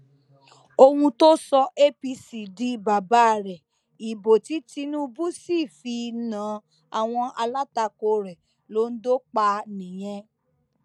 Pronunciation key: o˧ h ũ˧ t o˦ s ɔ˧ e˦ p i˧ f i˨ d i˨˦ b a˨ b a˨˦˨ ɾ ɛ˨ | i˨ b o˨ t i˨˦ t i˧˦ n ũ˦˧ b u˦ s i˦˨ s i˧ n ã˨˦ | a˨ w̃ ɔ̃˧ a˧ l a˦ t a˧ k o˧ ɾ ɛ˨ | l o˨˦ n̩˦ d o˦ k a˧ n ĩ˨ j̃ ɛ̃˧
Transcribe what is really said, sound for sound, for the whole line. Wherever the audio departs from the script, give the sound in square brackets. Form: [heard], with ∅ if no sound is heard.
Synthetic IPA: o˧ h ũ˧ t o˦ s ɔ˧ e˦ p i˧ [s] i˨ d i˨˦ b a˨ b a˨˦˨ ɾ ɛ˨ | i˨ b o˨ t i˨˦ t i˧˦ n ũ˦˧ b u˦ s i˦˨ [f] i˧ n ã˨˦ | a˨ w̃ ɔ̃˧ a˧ l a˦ t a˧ k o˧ ɾ ɛ˨ | l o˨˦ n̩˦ d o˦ [k͡p] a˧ n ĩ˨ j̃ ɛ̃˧